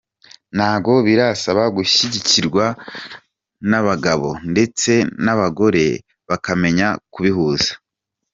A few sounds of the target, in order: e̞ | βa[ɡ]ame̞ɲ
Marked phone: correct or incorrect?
incorrect